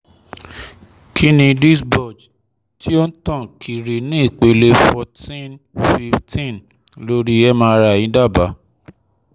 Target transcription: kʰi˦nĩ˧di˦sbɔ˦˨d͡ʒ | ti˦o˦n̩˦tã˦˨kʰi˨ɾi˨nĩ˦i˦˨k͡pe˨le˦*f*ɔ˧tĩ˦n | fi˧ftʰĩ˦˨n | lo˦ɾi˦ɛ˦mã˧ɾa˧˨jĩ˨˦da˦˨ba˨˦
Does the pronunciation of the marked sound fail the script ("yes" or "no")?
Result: no